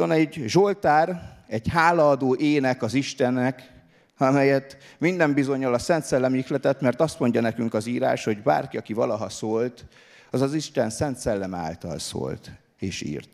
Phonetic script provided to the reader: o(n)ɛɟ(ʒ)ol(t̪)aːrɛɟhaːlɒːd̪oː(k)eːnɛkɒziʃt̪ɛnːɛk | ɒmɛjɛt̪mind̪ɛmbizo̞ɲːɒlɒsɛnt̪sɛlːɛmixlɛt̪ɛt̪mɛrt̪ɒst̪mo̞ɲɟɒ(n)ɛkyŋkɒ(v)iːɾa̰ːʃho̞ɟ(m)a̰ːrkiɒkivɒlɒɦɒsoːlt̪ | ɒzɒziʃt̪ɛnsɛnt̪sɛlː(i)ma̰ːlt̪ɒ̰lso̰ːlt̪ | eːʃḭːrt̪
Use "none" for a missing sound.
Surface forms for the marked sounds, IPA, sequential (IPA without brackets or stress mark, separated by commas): n, ʒ, t̪, ʔ, n, z, b, ɛ